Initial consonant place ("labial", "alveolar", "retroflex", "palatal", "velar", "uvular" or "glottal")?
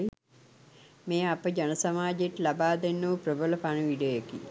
labial